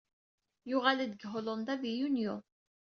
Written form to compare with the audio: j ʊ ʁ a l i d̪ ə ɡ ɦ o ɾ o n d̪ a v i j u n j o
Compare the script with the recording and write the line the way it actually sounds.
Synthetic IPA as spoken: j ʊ ʁ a l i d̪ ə ɡ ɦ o l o n d̪ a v i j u n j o